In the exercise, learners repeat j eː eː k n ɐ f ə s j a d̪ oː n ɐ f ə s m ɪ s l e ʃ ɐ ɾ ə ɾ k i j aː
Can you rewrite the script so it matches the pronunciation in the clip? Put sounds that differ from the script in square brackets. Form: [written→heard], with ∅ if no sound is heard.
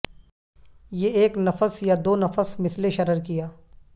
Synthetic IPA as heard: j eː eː k n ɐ f ə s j a d̪ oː n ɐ f ə s m ɪ s l e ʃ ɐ ɾ ə ɾ k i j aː